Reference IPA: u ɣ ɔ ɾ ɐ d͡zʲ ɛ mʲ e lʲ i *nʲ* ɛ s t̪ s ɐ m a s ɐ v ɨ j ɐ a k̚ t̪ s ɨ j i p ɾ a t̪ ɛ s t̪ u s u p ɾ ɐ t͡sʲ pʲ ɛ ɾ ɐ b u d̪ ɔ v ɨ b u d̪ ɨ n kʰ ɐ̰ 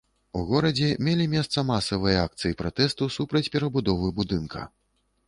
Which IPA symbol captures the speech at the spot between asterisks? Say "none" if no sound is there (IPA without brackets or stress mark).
mʲ